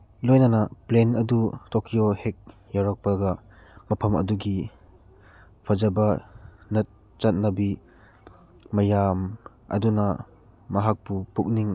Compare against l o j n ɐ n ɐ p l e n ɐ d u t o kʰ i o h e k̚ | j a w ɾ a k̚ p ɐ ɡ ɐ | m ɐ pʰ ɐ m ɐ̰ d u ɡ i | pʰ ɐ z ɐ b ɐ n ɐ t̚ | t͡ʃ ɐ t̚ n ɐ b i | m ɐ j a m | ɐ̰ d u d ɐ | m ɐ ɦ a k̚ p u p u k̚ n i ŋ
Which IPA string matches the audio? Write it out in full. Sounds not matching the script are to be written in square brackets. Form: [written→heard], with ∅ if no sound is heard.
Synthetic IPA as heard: l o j n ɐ n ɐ p l e n ɐ d u t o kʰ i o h e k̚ | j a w ɾ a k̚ p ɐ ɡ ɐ | m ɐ pʰ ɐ m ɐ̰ d u ɡ i | pʰ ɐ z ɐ b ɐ n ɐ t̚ | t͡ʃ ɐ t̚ n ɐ b i | m ɐ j a m | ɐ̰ d u [d→n] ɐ | m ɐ ɦ a k̚ p u p u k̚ n i ŋ